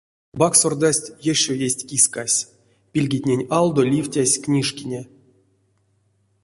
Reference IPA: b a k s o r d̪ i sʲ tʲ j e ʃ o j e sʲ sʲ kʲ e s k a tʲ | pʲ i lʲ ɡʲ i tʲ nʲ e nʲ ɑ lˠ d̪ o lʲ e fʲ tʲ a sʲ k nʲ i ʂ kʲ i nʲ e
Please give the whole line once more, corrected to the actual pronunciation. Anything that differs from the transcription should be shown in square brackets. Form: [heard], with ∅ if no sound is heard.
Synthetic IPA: b a k s o r d̪ [a] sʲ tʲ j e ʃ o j e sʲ [tʲ] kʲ [i] s k a [sʲ] | pʲ i lʲ ɡʲ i tʲ nʲ e nʲ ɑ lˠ d̪ o lʲ [i] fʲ tʲ a sʲ k nʲ i ʂ kʲ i nʲ e

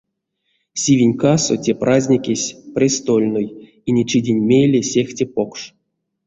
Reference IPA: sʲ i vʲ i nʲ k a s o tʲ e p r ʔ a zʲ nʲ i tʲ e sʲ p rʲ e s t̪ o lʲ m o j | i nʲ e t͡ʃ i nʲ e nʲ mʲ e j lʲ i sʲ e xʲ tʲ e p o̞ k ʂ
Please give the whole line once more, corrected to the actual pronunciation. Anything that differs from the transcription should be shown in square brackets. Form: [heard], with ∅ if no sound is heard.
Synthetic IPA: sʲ i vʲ i nʲ k a s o tʲ e p r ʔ a zʲ nʲ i [kʲ] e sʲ p rʲ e s t̪ o lʲ [n] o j | i nʲ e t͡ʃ i [dʲ] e nʲ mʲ e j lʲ [e] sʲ e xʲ tʲ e p o̞ k ʂ

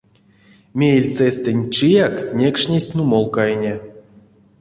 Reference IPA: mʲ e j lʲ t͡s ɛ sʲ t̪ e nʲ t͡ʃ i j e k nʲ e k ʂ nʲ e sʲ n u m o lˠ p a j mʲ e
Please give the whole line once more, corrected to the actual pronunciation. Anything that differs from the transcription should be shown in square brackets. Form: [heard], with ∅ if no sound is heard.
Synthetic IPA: mʲ e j lʲ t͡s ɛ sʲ t̪ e nʲ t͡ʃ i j [a] k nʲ e k ʂ nʲ e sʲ n u m o lˠ [k] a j [nʲ] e

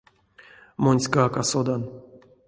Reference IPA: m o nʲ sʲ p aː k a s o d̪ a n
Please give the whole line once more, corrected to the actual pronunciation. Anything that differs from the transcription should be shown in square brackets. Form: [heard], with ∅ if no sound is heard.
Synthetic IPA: m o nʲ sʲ [k] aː k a s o d̪ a n

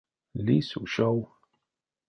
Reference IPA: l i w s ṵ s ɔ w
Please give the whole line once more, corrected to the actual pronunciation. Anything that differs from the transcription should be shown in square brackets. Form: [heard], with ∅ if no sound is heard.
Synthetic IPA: l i [∅] s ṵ [ʃ] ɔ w

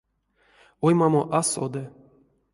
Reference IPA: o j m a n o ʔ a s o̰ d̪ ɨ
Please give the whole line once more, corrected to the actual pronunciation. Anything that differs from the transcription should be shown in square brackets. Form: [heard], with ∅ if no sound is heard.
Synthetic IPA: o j m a [m] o ʔ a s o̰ d̪ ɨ

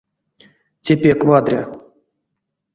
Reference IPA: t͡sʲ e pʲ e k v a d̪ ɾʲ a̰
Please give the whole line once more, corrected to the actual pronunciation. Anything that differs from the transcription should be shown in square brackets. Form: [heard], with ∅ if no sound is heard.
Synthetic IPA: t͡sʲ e pʲ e k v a d̪ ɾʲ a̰

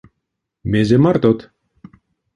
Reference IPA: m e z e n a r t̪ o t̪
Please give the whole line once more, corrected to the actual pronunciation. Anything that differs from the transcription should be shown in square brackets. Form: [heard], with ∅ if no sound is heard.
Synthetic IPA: m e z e [m] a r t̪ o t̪

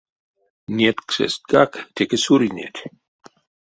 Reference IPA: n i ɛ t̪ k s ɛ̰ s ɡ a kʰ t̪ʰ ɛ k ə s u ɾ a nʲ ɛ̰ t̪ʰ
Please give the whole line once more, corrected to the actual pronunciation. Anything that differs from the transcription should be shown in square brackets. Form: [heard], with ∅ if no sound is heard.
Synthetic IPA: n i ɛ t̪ k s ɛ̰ s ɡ a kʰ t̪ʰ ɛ k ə s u ɾ [i] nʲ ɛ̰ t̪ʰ

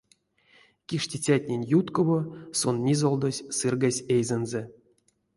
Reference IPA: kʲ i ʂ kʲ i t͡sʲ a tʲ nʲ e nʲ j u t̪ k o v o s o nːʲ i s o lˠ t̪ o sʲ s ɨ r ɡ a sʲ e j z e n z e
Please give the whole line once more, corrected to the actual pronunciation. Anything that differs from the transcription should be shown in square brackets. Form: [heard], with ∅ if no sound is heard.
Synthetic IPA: kʲ i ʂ [tʲ] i t͡sʲ a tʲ nʲ e nʲ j u t̪ k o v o s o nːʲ i [z] o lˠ [d̪] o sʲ s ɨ r ɡ a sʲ e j z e n z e

